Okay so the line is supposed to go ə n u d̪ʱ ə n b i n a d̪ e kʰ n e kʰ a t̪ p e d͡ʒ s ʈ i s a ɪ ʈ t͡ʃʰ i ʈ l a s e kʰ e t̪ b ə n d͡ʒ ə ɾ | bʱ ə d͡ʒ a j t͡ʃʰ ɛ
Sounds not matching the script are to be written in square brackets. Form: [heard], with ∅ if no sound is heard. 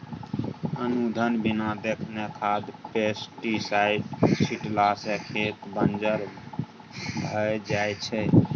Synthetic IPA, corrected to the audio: ə n u d̪ʱ ə n b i n a d̪ e kʰ n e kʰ a [d̪] p e [∅] s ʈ i s a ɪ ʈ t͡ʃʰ i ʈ l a s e kʰ e t̪ b ə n d͡ʒ ə ɾ | bʱ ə d͡ʒ a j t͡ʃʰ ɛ